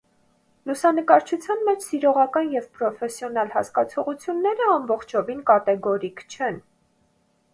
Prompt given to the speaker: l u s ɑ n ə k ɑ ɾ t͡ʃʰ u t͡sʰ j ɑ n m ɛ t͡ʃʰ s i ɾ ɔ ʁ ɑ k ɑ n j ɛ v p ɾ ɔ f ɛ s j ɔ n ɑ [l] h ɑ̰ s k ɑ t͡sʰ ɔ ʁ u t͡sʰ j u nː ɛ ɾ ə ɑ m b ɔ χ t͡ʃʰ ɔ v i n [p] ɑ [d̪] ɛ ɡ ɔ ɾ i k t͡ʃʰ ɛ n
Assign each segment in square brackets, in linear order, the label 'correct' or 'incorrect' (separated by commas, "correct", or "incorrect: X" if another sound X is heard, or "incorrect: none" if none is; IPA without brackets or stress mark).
correct, incorrect: k, incorrect: t̪